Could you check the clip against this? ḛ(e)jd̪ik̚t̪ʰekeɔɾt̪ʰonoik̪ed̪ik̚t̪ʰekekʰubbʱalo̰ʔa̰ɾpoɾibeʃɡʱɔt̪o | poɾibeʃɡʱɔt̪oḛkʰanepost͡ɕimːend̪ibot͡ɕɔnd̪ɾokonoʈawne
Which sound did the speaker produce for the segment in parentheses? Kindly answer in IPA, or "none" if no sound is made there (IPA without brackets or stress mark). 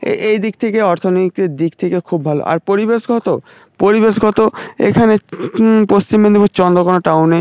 e